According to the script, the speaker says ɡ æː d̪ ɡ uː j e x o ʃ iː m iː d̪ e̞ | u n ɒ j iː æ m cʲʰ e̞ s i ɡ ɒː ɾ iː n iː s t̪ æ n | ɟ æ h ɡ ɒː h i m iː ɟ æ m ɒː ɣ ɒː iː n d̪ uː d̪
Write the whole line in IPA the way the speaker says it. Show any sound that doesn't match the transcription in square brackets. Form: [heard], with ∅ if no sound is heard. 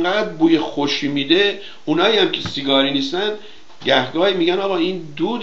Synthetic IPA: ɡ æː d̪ [b] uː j e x o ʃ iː m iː d̪ e̞ | u n [ɒː] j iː æ m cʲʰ e̞ s i ɡ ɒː ɾ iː n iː s t̪ æ n | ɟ æ h ɡ ɒː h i m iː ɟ æ [n] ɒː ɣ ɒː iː n d̪ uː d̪